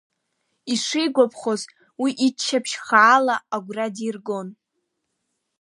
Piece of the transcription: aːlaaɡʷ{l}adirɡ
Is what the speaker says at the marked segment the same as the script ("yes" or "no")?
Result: no